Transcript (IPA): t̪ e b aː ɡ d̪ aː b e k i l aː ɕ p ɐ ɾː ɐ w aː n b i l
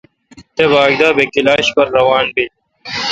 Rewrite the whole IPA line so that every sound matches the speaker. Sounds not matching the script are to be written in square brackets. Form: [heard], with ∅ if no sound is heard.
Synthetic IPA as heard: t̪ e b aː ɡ d̪ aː b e k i l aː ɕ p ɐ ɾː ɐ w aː n b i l